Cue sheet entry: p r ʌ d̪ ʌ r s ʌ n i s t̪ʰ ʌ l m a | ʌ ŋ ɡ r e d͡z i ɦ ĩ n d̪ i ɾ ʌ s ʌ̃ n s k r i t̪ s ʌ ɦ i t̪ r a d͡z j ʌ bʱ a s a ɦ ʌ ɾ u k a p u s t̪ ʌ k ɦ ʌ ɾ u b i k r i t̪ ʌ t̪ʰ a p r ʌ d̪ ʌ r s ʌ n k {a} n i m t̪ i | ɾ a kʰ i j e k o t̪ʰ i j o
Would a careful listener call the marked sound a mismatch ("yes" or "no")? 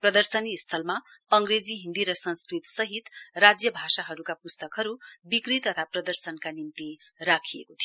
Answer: no